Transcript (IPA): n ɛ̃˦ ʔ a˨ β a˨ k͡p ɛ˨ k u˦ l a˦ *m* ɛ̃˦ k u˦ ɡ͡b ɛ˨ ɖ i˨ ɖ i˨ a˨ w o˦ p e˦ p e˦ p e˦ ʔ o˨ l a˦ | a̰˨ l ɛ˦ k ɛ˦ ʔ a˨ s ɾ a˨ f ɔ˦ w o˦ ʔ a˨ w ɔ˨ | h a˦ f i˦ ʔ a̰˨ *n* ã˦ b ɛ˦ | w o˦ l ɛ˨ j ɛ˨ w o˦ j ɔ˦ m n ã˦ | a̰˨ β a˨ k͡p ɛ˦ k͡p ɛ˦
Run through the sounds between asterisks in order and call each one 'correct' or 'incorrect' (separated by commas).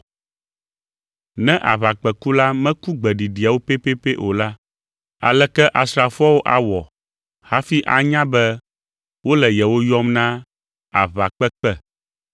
correct, incorrect